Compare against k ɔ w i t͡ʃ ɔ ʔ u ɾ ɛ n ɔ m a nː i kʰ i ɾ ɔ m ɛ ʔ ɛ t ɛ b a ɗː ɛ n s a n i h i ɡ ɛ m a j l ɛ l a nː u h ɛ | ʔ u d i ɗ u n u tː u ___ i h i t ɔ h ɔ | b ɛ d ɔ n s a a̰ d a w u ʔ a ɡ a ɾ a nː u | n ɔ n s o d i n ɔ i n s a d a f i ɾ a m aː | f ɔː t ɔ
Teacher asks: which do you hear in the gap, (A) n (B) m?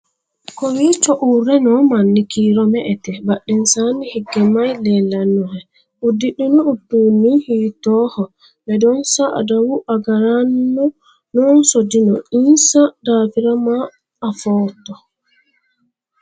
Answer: A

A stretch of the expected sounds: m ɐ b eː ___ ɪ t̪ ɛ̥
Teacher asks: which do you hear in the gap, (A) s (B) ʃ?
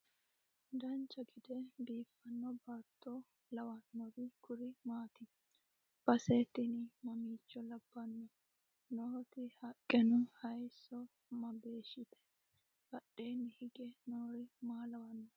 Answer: B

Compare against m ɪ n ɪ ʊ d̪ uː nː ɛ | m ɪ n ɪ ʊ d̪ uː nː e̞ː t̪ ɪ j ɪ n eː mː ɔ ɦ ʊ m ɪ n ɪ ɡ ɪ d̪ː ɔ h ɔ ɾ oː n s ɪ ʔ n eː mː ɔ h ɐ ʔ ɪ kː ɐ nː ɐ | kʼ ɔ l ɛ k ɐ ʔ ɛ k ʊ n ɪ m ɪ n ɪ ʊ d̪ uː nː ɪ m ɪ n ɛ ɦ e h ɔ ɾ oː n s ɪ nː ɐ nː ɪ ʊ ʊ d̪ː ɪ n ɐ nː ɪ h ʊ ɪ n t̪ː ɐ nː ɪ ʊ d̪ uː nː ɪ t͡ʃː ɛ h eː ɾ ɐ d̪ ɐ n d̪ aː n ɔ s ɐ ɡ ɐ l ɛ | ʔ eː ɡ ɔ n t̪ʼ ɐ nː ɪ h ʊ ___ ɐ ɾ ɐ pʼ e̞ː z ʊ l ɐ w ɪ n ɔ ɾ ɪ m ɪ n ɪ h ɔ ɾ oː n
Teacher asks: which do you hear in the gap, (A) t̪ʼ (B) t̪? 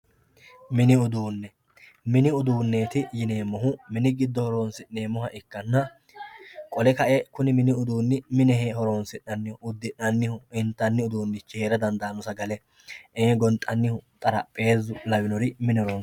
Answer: A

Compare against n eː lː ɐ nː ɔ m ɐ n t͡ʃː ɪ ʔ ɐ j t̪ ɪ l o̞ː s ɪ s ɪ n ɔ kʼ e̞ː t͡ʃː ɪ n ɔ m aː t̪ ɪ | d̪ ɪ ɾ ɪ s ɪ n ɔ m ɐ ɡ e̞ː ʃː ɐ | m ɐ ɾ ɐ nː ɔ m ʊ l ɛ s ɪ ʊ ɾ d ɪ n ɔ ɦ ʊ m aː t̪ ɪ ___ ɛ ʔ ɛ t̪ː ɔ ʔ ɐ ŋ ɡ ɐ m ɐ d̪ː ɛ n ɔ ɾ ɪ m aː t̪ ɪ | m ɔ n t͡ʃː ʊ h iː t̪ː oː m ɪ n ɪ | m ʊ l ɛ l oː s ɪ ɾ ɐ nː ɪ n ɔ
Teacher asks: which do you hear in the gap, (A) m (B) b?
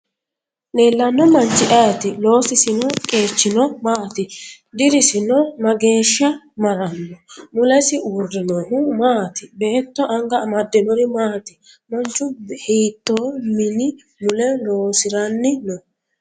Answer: B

